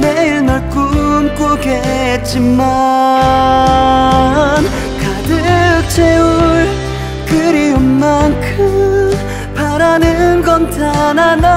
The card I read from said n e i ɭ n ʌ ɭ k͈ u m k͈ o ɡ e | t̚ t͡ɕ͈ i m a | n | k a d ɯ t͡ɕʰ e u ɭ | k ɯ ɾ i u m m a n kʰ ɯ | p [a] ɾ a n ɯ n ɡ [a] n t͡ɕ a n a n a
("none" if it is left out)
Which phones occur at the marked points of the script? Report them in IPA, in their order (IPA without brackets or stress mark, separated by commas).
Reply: a, ʌ